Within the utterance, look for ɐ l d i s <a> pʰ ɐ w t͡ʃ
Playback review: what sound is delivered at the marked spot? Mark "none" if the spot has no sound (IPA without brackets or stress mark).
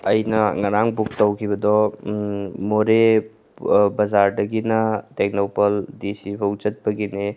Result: i